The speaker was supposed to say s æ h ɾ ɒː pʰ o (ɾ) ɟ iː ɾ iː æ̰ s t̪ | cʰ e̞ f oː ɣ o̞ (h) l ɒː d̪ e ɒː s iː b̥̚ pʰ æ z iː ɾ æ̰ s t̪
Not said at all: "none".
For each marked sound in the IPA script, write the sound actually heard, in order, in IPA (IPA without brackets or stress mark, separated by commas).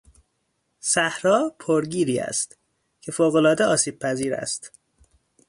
ɾ, none